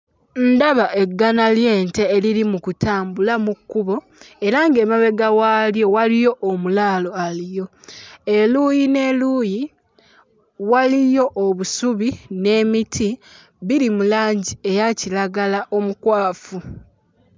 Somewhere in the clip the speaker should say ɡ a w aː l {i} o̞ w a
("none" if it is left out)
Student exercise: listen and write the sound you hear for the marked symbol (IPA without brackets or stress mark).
j